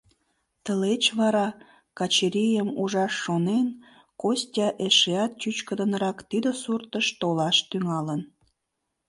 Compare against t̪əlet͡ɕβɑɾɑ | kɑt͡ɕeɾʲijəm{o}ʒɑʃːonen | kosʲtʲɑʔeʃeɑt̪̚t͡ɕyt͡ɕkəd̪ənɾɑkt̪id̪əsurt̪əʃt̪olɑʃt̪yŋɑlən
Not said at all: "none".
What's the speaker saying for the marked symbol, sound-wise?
u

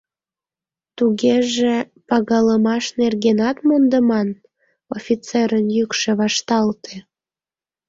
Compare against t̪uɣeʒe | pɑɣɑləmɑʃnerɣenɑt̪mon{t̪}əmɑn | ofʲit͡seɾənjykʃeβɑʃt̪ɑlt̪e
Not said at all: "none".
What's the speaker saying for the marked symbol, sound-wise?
d̪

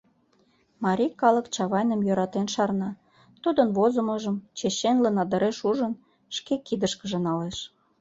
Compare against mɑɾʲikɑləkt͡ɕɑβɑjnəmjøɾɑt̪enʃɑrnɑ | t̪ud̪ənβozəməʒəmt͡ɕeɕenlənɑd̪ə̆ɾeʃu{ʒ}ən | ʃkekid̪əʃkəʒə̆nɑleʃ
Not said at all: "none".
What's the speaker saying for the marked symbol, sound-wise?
ʒ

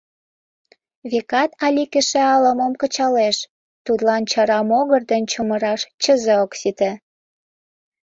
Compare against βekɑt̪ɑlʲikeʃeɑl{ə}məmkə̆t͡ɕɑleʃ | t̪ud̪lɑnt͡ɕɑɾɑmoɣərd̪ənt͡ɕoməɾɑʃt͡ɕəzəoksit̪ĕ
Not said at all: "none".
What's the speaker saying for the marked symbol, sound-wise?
ə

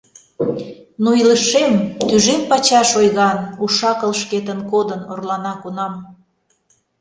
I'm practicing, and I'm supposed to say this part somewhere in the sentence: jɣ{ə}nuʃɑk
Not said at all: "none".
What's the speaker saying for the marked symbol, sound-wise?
ɑ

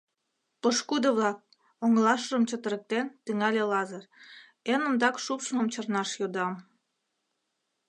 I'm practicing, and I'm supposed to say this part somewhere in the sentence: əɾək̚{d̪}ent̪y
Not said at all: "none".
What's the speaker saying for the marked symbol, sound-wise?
t̪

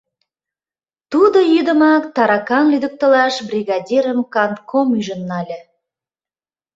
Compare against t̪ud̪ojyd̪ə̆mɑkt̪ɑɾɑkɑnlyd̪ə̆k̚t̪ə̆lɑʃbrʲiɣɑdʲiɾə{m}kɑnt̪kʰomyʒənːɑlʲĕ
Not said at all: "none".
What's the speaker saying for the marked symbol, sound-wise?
m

